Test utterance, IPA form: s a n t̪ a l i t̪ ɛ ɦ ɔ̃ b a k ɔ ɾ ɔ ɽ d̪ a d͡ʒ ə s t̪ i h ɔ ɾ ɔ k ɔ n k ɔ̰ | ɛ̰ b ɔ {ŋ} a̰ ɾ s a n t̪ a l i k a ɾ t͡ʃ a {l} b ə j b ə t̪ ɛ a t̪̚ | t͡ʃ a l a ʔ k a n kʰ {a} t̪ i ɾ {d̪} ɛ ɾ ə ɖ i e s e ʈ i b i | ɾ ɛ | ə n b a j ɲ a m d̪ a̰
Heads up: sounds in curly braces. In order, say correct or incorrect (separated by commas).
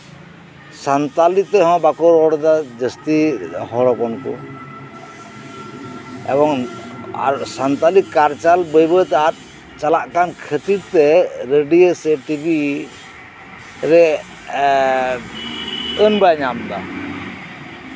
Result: correct, correct, incorrect, incorrect